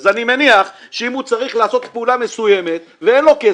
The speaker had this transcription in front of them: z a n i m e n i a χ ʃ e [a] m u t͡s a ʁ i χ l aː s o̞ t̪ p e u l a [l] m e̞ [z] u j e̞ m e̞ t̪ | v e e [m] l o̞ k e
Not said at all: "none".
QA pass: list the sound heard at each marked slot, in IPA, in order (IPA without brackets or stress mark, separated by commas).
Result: i, none, s, n